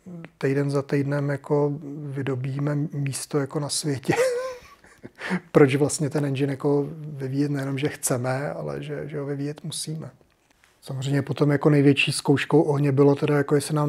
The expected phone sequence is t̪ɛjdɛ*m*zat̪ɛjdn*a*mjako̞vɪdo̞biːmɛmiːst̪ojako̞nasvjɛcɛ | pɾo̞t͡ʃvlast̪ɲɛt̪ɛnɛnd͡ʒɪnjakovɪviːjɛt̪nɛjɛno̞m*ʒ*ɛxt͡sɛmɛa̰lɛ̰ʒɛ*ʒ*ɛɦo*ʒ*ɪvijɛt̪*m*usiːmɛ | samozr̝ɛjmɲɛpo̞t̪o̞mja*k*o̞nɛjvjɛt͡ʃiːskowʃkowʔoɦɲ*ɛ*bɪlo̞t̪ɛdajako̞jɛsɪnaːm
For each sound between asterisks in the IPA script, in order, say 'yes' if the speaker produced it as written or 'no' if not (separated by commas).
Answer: no, no, yes, yes, no, yes, yes, yes